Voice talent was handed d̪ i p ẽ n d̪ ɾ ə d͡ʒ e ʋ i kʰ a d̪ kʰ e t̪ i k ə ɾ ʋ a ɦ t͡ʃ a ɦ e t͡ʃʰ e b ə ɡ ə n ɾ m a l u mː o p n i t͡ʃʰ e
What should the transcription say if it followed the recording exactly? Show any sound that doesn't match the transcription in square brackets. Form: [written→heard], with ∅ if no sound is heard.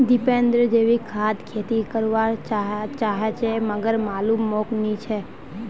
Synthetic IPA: d̪ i p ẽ n d̪ ɾ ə d͡ʒ e ʋ i kʰ a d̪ kʰ e t̪ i k ə ɾ ʋ a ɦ t͡ʃ a ɦ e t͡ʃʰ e [b→m] ə ɡ ə [n→∅] ɾ m a l u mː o [p→k] n i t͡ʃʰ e